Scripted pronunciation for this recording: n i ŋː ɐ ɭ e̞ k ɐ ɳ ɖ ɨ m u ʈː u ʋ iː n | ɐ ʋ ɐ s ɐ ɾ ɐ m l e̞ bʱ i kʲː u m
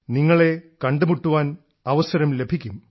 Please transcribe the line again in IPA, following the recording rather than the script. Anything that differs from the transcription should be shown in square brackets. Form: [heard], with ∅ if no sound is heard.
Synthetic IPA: n i ŋː ɐ ɭ e̞ k ɐ ɳ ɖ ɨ m u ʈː u ʋ [aː] n | ɐ ʋ ɐ s ɐ ɾ ɐ m l e̞ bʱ i kʲː u m